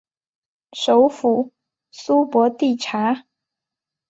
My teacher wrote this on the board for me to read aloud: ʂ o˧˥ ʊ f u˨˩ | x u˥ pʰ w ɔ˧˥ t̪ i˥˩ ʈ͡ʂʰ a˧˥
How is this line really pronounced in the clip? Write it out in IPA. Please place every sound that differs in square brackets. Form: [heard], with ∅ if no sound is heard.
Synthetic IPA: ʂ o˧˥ ʊ f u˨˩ | [s] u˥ [p] w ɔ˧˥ t̪ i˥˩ ʈ͡ʂʰ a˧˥